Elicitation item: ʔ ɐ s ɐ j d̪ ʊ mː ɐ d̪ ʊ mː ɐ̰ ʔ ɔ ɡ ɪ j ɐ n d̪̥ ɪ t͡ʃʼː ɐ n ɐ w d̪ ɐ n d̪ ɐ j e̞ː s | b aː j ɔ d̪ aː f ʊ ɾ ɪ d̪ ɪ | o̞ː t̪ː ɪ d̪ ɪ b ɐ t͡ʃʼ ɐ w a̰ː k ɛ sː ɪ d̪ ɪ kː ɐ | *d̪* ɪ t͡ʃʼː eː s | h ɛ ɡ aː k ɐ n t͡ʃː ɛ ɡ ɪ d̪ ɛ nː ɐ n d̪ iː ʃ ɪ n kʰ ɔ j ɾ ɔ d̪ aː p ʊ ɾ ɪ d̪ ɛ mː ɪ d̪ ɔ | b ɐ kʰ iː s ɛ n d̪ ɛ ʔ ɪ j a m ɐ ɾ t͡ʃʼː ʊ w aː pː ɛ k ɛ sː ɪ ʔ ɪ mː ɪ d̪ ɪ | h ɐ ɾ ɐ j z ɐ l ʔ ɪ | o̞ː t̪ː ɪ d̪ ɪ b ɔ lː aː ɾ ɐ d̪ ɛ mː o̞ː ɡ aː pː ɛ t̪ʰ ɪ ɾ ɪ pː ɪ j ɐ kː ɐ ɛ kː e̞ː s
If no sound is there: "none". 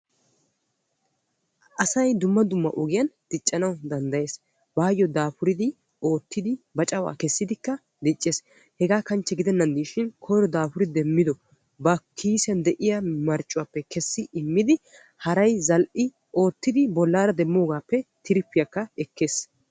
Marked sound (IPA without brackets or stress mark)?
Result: d̪